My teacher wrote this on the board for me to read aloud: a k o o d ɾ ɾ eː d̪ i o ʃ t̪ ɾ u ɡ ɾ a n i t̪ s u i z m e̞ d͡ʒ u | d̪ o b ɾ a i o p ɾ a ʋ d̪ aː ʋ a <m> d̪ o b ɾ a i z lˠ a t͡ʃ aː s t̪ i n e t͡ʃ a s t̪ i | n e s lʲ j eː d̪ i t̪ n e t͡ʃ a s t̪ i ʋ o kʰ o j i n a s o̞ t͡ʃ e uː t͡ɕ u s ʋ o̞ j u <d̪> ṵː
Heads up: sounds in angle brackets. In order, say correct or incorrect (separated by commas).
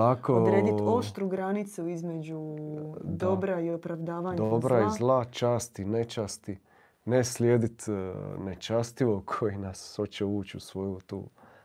incorrect, incorrect